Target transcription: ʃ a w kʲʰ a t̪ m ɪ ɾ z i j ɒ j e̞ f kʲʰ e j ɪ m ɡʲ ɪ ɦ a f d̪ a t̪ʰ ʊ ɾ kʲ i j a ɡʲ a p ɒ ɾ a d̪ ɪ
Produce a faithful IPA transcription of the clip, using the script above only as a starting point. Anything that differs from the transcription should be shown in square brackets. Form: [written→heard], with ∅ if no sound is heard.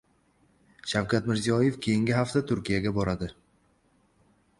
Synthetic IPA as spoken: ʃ a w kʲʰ a t̪ m ɪ ɾ z i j ɒ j e̞ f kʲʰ e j ɪ [m→ŋ] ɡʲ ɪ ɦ a f [d̪→t̪] a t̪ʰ ʊ ɾ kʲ i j a ɡʲ a [p→b] ɒ ɾ a d̪ ɪ